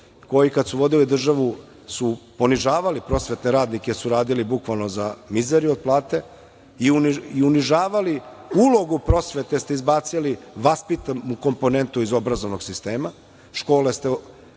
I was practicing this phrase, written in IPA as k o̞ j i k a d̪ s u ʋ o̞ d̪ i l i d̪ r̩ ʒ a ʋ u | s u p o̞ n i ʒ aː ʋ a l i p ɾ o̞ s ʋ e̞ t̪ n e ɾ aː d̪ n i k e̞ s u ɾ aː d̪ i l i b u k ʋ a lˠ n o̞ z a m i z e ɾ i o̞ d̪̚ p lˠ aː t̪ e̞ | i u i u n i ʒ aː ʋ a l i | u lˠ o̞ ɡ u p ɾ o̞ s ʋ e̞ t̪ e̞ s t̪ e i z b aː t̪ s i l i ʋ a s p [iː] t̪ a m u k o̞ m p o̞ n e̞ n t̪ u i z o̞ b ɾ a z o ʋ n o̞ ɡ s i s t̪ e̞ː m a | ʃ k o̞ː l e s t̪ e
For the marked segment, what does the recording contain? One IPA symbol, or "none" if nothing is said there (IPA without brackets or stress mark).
i